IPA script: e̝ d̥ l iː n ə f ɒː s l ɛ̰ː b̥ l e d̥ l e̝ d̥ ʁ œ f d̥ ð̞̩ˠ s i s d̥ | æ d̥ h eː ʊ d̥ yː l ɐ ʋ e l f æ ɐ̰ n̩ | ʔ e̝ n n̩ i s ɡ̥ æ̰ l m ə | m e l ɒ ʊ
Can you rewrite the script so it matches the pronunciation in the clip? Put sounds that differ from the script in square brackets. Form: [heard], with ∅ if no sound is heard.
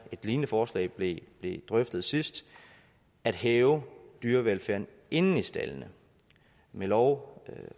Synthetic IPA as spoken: e̝ d̥ l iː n ə f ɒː s l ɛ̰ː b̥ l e [b̥] l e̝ d̥ ʁ œ f d̥ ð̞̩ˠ s i s d̥ | æ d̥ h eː ʊ d̥ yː [∅] ɐ ʋ e l f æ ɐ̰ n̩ | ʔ e̝ n n̩ i s [d̥] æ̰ l [n] ə | m e l ɒ ʊ